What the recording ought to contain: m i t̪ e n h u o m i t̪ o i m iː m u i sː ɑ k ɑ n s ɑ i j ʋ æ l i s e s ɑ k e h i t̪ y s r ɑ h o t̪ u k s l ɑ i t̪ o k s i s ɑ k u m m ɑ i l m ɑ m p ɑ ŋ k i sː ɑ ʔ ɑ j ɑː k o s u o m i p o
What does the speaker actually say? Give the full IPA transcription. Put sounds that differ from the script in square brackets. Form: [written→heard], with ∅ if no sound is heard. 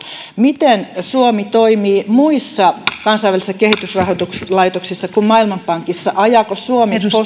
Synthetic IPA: m i t̪ e n [h→s] u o m i t̪ o i m iː m u i sː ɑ k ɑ n s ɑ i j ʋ æ l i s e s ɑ k e h i t̪ y s r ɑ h o t̪ u k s l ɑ i t̪ o k s i [s→sː] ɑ k u m m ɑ i l m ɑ m p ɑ ŋ k i sː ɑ ʔ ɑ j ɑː k o s u o m i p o